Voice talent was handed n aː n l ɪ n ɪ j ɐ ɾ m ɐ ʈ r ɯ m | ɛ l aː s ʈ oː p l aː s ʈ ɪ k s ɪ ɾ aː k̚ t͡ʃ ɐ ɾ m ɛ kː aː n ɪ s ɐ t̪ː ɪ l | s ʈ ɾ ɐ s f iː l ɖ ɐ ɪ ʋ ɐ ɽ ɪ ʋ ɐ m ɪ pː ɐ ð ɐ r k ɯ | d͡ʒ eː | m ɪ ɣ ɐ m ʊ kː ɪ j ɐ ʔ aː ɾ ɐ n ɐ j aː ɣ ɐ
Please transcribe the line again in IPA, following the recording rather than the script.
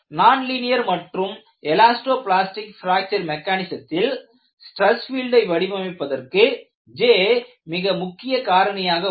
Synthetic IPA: n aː n l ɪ n ɪ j ɐ ɾ m ɐ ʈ r ɯ m | ɛ l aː s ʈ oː p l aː s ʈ ɪ k f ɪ ɾ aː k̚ t͡ʃ ɐ ɾ m ɛ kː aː n ɪ s ɐ t̪ː ɪ l | s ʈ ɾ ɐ s f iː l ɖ ɐ ɪ ʋ ɐ ɽ ɪ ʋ ɐ m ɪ pː ɐ ð ɐ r k ɯ | d͡ʒ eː | m ɪ ɣ ɐ m ʊ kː ɪ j ɐ k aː ɾ ɐ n ɐ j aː ɣ ɐ